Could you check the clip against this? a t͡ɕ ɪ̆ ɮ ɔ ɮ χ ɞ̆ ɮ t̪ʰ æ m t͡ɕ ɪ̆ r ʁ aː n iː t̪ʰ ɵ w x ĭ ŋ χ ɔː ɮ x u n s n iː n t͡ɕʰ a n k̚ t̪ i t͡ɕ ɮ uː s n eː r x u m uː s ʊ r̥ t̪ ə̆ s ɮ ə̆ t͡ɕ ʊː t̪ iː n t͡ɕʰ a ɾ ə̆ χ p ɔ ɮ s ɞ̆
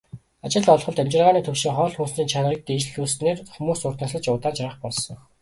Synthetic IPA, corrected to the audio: a t͡ɕ ɪ̆ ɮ ɔ ɮ χ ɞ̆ ɮ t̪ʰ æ m t͡ɕ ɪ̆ r ʁ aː n iː t̪ʰ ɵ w ʃ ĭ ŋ χ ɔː ɮ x u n s n iː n t͡ɕʰ a n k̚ t̪ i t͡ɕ ɮ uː s n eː r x u m uː s ʊ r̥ t̪ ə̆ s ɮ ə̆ t͡ɕ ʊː t̪ aː n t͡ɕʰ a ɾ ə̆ χ p ɔ ɮ s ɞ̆